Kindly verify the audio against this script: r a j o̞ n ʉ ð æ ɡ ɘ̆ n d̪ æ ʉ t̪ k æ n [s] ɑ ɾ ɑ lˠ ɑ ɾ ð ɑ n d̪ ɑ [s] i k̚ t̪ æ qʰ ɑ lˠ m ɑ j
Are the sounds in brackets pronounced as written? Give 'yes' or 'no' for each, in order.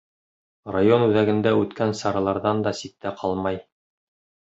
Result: yes, yes

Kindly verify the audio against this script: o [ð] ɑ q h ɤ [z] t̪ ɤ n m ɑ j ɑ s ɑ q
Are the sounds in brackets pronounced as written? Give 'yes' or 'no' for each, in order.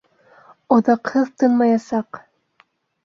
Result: yes, no

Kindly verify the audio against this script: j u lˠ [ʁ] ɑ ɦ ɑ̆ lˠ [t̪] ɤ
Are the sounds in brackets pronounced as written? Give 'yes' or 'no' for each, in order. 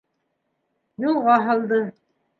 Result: yes, no

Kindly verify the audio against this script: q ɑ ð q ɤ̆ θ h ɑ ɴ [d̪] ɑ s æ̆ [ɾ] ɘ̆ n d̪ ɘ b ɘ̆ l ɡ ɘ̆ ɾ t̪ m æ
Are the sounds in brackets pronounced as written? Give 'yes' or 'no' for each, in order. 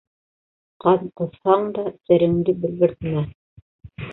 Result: yes, yes

